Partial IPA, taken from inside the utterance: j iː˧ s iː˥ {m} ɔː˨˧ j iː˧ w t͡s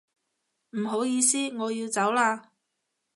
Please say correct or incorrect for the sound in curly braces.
incorrect